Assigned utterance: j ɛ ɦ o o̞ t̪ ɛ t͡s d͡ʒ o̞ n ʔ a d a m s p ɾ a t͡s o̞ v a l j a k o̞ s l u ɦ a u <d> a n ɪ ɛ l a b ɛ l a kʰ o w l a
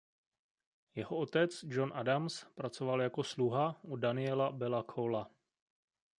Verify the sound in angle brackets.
correct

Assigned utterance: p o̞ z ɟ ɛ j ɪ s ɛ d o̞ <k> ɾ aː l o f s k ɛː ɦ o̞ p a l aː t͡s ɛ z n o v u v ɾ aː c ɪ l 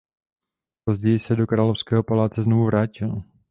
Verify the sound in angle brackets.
correct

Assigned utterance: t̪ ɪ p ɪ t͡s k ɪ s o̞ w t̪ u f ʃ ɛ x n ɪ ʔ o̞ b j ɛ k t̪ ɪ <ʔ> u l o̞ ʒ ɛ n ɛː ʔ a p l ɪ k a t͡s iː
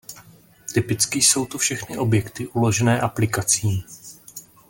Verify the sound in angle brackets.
correct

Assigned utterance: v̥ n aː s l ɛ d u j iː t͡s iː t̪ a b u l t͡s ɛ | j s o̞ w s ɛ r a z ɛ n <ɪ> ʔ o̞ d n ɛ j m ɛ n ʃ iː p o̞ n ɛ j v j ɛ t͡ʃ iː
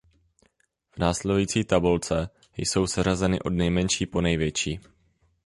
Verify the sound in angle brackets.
correct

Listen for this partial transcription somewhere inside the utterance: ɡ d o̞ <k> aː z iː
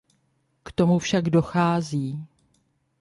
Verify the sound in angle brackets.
incorrect: x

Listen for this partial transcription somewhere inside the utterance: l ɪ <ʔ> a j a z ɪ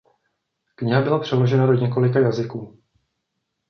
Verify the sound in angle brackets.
incorrect: k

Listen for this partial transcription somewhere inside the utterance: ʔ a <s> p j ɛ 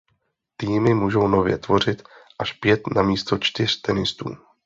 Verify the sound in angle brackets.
incorrect: ʃ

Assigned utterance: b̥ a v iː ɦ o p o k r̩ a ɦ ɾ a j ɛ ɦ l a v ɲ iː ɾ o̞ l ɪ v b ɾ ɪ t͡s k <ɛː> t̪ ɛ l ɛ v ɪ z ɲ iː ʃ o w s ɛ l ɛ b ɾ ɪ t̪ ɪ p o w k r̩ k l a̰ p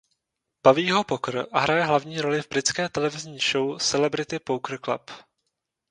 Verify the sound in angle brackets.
correct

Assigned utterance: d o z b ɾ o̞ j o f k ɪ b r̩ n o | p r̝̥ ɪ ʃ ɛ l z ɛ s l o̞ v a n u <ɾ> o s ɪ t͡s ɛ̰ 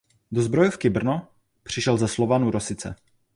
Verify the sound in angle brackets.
correct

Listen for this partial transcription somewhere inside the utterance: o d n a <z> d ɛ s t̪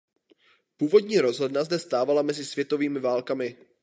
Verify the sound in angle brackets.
correct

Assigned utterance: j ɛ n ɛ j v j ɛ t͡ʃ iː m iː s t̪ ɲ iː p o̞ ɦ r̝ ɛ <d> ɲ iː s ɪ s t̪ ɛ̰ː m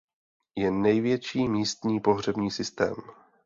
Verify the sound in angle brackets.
incorrect: b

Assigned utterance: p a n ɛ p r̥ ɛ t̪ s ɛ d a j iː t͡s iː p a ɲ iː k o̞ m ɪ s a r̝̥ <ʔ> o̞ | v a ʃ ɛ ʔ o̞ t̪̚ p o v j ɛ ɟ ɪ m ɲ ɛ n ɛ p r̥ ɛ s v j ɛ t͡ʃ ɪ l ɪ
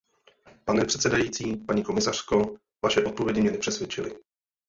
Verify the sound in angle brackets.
incorrect: k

